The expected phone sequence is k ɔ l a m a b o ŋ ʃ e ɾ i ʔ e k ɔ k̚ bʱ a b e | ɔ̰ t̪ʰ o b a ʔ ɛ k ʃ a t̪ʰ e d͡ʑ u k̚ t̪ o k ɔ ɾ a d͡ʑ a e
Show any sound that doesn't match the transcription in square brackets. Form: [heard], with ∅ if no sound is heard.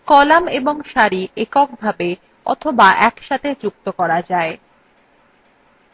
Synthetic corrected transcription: k ɔ l a m [e] b o ŋ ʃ [a] ɾ i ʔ e k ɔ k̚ bʱ a b e | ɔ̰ t̪ʰ o b a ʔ ɛ k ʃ a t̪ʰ e d͡ʑ u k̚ t̪ o k ɔ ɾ a d͡ʑ a e